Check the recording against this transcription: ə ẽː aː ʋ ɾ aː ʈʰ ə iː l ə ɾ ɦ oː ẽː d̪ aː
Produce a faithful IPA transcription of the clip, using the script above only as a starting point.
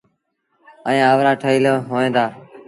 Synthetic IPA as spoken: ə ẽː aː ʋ ɾ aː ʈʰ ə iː l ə ɦ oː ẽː d̪ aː